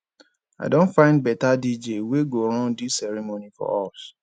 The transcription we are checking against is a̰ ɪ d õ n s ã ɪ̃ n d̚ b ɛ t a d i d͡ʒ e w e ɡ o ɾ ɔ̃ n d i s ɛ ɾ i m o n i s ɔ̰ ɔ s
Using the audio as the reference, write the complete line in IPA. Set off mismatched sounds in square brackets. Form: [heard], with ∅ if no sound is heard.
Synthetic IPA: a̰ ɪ d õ n [f] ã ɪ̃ n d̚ b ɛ t a d i d͡ʒ e w e ɡ o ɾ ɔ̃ n d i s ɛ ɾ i m o n i [f] ɔ̰ ɔ s